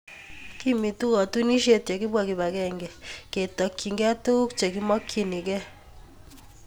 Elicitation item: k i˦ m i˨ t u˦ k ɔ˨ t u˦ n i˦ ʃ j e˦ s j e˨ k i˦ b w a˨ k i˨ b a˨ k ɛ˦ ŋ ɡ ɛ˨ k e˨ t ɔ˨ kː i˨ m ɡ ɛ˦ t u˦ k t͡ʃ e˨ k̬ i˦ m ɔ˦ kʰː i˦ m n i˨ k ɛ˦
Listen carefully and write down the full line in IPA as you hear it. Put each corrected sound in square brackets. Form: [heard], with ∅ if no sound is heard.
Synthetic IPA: k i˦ m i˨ t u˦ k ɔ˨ t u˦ n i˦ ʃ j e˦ [t] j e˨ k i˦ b w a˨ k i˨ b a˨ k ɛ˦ ŋ ɡ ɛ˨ k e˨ t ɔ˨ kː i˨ [ŋ] ɡ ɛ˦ t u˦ k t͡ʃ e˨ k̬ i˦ m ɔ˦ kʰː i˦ [∅] n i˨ k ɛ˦